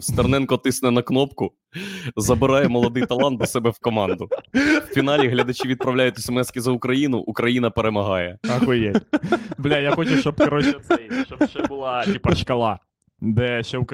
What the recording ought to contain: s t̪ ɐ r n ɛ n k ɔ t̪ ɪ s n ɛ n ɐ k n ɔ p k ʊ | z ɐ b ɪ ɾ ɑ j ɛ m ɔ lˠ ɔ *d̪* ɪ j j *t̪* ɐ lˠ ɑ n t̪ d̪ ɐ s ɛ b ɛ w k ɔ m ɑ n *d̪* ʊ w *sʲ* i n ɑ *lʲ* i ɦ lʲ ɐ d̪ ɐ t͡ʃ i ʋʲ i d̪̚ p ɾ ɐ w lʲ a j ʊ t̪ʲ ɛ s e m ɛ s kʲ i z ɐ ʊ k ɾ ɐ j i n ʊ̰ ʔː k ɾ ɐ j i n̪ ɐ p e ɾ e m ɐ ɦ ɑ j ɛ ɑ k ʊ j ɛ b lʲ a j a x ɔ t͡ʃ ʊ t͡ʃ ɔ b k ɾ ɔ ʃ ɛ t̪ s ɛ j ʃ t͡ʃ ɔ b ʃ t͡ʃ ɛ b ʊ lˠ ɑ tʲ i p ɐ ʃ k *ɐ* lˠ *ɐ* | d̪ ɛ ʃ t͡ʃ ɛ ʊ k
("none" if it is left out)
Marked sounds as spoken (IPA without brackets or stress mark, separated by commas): d̪, t̪, d̪, fʲ, lʲ, ɐ, ɑ